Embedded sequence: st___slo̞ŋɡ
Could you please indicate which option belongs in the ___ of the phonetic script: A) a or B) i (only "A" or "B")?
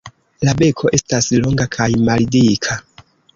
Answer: A